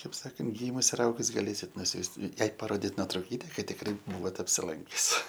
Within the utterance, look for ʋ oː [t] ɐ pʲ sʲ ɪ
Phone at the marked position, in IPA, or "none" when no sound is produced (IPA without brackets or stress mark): t